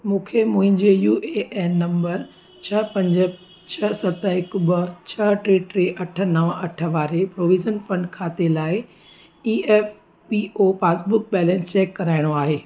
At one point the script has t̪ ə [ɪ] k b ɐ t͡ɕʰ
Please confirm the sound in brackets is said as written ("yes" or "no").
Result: yes